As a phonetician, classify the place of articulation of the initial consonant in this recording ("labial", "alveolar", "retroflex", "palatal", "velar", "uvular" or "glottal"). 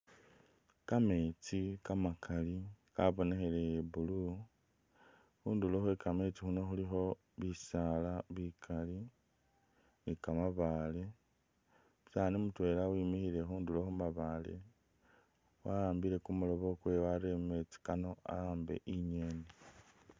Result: velar